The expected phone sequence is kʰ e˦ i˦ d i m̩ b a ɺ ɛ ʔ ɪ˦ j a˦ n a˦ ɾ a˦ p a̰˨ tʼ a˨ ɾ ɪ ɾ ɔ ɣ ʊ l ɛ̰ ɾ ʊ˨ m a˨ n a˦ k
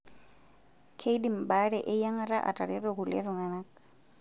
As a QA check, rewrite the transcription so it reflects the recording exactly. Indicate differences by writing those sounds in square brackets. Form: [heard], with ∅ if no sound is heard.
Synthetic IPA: kʰ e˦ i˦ d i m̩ b a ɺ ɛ ʔ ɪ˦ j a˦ [ŋ] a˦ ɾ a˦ [ʔ] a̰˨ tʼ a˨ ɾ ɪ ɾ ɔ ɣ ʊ l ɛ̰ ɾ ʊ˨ [ŋ] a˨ n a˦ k